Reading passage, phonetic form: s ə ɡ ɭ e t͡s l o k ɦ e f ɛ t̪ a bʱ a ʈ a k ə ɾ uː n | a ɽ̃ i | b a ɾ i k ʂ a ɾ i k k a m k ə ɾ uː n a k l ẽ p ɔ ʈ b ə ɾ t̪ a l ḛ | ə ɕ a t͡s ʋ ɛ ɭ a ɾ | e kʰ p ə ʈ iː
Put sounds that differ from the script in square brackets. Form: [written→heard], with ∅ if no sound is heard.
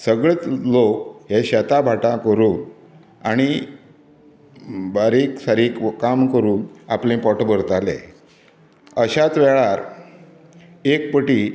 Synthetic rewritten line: s ə ɡ ɭ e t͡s l o k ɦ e [f→ɕ] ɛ t̪ a bʱ a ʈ a k ə ɾ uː n | a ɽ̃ i | b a ɾ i k [ʂ→s] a ɾ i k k a m k ə ɾ uː n a [k→p] l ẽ p ɔ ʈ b ə ɾ t̪ a l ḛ | ə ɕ a t͡s ʋ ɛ ɭ a ɾ | e [kʰ→k] p ə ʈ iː